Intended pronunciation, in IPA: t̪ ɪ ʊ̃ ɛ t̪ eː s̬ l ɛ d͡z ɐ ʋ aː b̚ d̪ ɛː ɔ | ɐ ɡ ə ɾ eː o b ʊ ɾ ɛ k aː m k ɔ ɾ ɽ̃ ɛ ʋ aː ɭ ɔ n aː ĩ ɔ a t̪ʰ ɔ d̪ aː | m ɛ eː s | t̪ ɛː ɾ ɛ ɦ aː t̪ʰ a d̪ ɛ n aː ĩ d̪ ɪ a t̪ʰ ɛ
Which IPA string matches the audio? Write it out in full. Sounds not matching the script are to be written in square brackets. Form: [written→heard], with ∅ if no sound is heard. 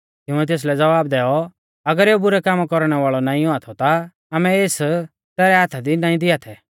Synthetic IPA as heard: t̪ ɪ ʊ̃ ɛ t̪ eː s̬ l ɛ d͡z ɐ ʋ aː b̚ d̪ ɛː ɔ | ɐ ɡ ə ɾ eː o b ʊ ɾ ɛ k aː m k ɔ ɾ ɽ̃ ɛ ʋ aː ɭ ɔ n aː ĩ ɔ a t̪ʰ ɔ [d̪→t̪] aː | m ɛ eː s | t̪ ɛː ɾ ɛ ɦ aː t̪ʰ a d̪ [ɛ→i] n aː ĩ d̪ ɪ a t̪ʰ ɛ